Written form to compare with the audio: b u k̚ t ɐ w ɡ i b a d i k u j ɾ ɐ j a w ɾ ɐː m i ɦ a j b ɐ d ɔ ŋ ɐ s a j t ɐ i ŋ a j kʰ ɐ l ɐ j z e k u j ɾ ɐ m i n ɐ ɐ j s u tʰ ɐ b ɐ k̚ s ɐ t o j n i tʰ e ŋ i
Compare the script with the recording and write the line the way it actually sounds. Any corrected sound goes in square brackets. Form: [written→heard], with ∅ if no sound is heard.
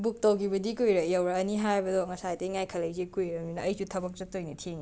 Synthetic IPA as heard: b u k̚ t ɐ w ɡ i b [a→ɐ] d i k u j ɾ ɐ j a w ɾ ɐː [m→n] i ɦ a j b ɐ d ɔ ŋ ɐ s a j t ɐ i ŋ a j kʰ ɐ l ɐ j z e k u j ɾ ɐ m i n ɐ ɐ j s u tʰ ɐ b ɐ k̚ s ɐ t o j n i tʰ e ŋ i